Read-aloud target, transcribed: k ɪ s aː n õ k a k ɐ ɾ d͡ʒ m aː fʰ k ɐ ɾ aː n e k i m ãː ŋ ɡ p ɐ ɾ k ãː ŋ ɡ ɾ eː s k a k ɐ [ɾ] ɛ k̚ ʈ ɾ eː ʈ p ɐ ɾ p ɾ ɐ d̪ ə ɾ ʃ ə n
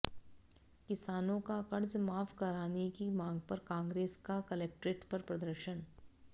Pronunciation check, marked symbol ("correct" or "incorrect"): incorrect